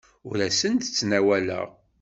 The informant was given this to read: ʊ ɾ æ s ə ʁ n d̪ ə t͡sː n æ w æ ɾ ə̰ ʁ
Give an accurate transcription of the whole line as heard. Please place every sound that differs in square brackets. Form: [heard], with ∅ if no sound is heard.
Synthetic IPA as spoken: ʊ ɾ æ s ə [∅] n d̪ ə t͡sː n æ w æ [l] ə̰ ʁ